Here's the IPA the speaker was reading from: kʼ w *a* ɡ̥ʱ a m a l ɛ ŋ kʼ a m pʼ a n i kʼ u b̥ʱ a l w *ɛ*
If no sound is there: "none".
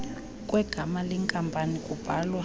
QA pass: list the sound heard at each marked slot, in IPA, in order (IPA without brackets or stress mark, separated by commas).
ɛ, a